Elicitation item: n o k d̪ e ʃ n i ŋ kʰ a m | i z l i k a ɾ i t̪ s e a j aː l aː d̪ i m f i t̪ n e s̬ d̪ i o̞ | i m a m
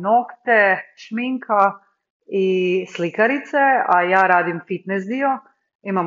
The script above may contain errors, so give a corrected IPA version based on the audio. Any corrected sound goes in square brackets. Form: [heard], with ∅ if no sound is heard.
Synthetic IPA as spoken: n o k [t̪] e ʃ [m] i ŋ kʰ a [∅] | i [s] l i k a ɾ i t̪ s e a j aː [ɾ] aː d̪ i m f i t̪ n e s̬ d̪ i o̞ | i m a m